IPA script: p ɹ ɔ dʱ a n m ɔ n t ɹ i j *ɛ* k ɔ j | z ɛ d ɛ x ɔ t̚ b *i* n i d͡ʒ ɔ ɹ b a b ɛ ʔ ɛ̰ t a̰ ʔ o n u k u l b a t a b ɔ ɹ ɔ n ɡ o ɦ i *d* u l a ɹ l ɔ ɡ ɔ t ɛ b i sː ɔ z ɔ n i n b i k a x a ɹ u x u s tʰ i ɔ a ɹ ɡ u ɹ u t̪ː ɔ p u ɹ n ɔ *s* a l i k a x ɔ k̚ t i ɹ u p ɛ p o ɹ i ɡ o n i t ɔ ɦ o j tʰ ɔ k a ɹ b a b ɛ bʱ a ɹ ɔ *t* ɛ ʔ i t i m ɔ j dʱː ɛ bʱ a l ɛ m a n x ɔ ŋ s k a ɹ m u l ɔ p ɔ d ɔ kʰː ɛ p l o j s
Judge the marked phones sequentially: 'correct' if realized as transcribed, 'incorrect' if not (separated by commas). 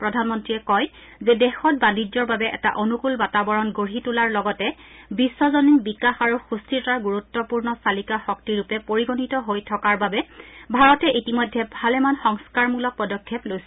correct, incorrect, incorrect, correct, correct